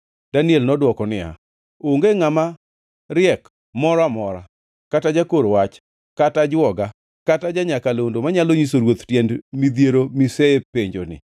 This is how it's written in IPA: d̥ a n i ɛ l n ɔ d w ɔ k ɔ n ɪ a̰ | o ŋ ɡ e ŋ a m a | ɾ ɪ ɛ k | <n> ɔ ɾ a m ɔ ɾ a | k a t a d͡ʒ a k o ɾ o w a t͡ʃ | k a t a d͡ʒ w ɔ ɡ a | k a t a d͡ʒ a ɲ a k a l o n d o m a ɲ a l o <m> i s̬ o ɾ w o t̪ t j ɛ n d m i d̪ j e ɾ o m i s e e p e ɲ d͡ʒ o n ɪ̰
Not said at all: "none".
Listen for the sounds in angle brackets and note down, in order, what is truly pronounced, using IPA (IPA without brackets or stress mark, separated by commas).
m, ɲ